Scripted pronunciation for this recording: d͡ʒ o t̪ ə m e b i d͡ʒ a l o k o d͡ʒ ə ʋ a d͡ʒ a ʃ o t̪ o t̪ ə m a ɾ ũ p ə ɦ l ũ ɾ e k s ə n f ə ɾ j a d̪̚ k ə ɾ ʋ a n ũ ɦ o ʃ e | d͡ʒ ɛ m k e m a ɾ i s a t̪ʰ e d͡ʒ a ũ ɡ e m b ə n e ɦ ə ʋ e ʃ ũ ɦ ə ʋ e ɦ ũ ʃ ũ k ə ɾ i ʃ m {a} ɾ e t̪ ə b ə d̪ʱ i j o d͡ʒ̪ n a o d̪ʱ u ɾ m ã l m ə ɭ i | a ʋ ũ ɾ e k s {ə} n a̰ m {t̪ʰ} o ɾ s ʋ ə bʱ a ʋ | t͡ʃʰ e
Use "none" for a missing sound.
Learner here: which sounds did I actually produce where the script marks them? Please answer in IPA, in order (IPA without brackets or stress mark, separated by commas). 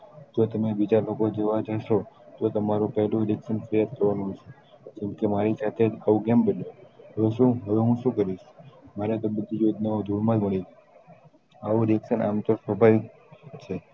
a, ə, t̪